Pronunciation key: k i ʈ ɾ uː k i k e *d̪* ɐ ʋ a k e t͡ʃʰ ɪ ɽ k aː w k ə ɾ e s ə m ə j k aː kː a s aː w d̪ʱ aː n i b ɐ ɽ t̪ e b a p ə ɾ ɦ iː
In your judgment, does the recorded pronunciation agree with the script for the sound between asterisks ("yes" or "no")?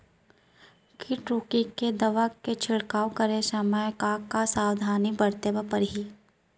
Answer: yes